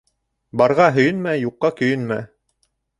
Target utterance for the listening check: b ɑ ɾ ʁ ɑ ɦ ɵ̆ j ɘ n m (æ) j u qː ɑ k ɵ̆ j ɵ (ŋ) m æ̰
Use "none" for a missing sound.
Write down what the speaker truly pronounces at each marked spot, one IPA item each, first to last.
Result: æ, n

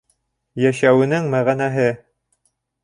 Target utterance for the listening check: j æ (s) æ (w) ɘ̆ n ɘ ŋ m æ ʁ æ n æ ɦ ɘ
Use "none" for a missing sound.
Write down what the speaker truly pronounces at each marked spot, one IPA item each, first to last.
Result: ʃ, w

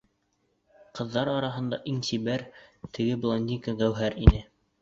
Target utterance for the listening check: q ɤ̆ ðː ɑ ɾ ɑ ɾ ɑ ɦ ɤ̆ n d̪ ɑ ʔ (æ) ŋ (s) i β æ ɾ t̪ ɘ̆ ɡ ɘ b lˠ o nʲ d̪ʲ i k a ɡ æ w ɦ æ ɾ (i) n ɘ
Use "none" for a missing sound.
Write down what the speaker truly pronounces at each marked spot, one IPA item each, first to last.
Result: i, s, i

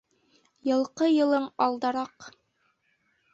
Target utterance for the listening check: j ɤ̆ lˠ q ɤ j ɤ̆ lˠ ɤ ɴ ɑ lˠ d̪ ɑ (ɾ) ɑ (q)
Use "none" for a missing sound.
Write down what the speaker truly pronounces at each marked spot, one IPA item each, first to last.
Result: ɾ, q

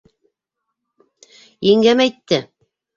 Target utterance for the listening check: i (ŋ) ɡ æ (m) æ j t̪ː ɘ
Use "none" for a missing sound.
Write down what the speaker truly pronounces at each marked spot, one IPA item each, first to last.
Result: ŋ, m

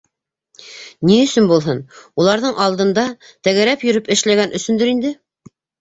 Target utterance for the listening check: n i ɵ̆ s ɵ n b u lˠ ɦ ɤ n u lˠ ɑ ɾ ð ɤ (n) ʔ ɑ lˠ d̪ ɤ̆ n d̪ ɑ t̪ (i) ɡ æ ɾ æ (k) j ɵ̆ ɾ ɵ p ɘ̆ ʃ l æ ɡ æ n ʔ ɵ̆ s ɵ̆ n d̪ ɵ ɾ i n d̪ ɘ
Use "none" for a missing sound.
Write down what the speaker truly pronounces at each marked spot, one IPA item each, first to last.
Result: ɴ, æ, p

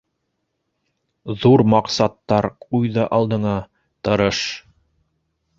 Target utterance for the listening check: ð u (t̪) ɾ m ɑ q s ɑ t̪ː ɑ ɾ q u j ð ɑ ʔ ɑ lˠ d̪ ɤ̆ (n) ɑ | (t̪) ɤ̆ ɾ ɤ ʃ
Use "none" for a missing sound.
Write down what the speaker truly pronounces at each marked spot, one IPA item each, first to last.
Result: none, ɴ, t̪

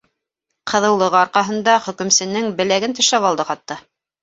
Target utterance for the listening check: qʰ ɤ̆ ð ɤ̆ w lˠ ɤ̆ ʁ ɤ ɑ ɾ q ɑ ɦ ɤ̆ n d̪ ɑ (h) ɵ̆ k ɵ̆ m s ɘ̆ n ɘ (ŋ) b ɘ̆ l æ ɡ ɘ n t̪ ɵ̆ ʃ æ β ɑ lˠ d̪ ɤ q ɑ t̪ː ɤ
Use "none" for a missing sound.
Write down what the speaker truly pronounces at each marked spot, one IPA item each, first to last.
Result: χ, ŋ

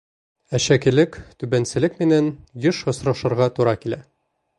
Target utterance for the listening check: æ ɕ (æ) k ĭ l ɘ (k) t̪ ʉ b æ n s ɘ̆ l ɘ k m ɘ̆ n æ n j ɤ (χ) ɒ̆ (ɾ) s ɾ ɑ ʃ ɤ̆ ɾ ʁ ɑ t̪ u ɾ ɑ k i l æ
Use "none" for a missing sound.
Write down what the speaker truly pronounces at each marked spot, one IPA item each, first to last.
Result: æ, k, ʃ, none

